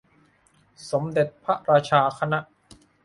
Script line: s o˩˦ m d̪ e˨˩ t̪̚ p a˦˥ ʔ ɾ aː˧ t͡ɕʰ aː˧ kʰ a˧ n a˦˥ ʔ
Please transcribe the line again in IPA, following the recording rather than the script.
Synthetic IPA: s o˩˦ m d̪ e˨˩ t̪̚ pʰ a˦˥ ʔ ɾ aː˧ t͡ɕʰ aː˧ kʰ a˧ n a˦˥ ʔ